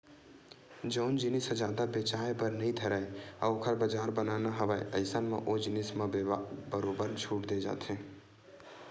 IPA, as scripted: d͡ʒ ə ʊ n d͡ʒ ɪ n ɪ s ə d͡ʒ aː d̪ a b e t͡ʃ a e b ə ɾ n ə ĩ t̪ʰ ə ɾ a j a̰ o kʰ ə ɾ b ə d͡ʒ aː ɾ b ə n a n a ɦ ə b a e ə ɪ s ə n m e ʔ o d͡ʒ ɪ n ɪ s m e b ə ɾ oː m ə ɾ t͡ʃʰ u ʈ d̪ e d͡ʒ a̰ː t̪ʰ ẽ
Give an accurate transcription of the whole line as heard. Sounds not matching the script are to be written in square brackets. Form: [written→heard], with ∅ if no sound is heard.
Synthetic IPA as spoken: d͡ʒ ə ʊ n d͡ʒ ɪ n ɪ s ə d͡ʒ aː d̪ a b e t͡ʃ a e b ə ɾ n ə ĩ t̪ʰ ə ɾ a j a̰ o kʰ ə ɾ b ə d͡ʒ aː ɾ b ə n a n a ɦ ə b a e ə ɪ s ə n m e ʔ o d͡ʒ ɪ n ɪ s m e b ə ɾ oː [m→b] ə ɾ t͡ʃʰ u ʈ d̪ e d͡ʒ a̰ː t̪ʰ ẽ